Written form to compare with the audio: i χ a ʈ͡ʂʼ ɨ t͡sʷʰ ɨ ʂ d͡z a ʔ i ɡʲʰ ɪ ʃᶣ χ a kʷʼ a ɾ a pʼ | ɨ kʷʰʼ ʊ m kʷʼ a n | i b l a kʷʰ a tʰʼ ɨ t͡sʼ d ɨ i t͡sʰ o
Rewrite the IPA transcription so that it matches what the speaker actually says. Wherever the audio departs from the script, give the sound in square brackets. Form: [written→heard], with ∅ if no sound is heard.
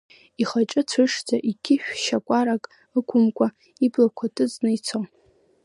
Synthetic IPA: i χ a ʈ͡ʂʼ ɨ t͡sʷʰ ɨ ʂ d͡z a ʔ i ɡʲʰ ɪ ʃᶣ [χ→ʃ] a kʷʼ a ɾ a [pʼ→kʼ] | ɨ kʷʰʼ ʊ m kʷʼ a [n→∅] | i b l a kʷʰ a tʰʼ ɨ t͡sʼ [d→n] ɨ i t͡sʰ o